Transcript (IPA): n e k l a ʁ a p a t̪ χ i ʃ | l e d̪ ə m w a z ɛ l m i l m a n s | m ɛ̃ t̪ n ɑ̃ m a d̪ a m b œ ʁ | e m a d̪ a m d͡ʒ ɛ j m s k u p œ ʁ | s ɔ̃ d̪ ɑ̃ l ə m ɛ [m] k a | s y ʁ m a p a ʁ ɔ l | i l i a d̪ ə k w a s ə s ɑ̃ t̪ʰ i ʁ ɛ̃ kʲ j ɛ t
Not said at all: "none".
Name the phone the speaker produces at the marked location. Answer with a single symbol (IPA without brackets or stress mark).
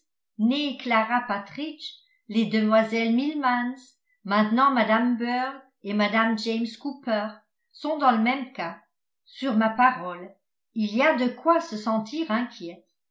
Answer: m